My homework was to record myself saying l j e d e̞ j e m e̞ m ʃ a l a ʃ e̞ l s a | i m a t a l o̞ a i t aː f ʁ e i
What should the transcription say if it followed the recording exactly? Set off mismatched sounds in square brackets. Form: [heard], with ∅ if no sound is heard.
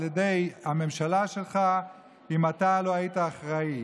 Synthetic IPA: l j e d e̞ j [a] m e̞ m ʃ a l a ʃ e̞ l [χ] a | i m a t a l o̞ a i t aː [χ] ʁ [a] i

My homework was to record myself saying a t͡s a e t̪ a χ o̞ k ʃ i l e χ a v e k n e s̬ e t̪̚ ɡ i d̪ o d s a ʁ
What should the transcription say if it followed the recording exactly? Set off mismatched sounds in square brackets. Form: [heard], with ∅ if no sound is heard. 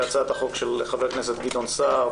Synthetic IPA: a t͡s a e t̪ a χ o̞ k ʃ [e] l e χ a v e k n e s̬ e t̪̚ ɡ i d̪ o [n] s a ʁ

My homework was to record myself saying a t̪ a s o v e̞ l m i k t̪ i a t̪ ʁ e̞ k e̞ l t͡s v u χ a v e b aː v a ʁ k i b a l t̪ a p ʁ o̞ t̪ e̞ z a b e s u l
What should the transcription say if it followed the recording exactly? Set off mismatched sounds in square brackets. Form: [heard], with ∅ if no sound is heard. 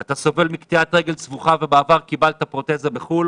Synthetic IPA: a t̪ a s o v e̞ l m i k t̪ i a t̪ ʁ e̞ [ɡ] e̞ l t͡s v u χ a v e b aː v a ʁ k i b a l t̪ a p ʁ o̞ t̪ e̞ z a b e [χ] u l

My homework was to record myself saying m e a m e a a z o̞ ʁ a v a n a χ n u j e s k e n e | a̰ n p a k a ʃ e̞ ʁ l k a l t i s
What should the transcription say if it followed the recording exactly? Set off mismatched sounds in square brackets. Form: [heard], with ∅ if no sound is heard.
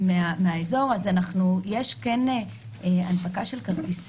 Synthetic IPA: m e a m e a [e] z o̞ ʁ a [z] a n a χ n u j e [ʃ] k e n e | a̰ n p a k a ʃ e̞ [∅] l k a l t i s

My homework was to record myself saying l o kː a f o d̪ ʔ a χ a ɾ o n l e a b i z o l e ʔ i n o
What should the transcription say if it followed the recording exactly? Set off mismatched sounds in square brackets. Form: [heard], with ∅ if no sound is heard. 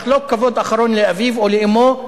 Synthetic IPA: l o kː a [v] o d̪ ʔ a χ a ɾ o n l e a [v] i [v] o l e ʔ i [m] o

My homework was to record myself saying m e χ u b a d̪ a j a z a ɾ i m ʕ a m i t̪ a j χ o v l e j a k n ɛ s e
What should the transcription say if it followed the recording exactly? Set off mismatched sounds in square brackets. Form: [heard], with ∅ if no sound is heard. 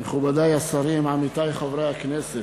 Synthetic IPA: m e χ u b a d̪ a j a [s] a ɾ i m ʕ a m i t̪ a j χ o v [ɾ] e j a k n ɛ s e

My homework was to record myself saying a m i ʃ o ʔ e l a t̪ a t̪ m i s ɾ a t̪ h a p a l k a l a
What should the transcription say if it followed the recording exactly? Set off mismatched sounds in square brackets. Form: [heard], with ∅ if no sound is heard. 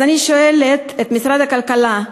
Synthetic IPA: a [n] i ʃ o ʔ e l [e] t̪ [e] t̪ m i s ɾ a [d̪] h a [k] a l k a l a

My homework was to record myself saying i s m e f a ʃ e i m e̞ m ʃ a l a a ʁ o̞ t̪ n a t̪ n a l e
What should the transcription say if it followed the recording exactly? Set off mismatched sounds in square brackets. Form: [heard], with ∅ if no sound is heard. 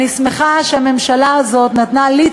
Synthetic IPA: i s m e [χ] a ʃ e [a] m e̞ m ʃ a l a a [z] o̞ t̪ n a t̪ n a l [i]

